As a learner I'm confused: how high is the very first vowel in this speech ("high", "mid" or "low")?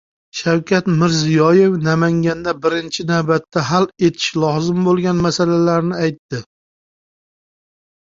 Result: low